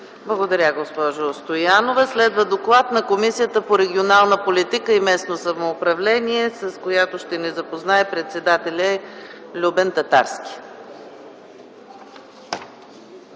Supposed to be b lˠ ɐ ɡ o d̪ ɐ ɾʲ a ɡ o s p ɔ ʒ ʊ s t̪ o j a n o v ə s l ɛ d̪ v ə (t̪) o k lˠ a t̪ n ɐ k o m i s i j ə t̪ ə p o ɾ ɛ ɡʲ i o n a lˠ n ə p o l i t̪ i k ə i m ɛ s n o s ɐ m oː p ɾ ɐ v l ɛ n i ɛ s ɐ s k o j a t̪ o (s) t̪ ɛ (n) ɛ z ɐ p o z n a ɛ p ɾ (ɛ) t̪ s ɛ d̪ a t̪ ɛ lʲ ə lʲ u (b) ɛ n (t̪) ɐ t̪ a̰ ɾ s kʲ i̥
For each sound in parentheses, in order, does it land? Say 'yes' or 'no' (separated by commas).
no, no, yes, yes, yes, yes